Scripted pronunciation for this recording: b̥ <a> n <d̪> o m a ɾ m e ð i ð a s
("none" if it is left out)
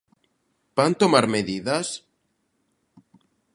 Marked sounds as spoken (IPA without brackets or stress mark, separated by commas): a, t̪